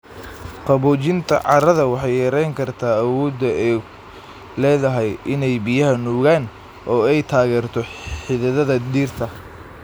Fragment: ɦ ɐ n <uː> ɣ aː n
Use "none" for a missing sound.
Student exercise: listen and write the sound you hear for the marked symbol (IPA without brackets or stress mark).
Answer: uː